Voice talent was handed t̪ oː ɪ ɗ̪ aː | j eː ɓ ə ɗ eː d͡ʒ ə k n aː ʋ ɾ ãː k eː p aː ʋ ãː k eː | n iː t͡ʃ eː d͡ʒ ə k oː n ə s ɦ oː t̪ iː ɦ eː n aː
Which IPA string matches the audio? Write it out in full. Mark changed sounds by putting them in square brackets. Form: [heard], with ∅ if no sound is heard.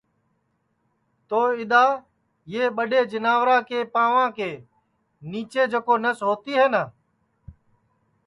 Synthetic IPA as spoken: t̪ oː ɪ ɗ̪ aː | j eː ɓ ə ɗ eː d͡ʒ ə [∅] n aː ʋ ɾ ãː k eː p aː ʋ ãː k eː | n iː t͡ʃ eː d͡ʒ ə k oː n ə s ɦ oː t̪ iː ɦ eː n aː